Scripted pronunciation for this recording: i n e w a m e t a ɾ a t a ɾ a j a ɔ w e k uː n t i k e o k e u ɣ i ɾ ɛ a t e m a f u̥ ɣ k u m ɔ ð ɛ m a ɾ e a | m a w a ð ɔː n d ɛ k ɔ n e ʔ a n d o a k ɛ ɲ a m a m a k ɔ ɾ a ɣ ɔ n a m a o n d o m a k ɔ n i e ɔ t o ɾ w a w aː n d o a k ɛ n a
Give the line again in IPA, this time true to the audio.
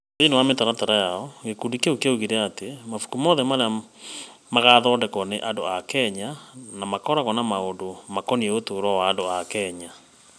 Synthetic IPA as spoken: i n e w a m e t a ɾ a t a ɾ a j a ɔ ɣ e k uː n d i k e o k e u ɣ i ɾ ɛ a t e m a f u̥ k u m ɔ ð ɛ m a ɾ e a | m a ɣ a ð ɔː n d ɛ k ɔ n e ʔ a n d o a k ɛ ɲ a n a m a k ɔ ɾ a ɣ ɔ n a m a o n d o m a k ɔ n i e o t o ɾ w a w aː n d o a k ɛ ɲ a